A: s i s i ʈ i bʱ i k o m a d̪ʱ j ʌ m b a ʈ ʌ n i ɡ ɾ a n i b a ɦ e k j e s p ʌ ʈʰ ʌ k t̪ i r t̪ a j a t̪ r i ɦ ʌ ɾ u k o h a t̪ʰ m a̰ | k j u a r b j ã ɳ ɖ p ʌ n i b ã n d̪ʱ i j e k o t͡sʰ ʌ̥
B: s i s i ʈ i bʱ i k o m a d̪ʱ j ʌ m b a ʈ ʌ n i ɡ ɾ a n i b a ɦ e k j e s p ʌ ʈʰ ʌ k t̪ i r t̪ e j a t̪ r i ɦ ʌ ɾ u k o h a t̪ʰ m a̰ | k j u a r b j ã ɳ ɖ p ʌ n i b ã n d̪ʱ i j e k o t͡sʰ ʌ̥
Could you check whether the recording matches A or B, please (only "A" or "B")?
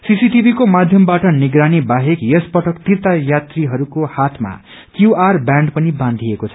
A